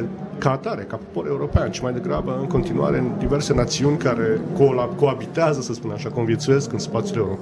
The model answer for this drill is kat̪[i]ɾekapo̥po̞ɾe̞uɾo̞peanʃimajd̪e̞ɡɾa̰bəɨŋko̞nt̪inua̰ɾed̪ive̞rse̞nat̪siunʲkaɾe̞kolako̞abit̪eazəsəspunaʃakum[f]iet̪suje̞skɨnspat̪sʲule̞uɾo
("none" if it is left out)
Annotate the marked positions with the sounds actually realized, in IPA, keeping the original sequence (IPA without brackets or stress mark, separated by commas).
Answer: a, v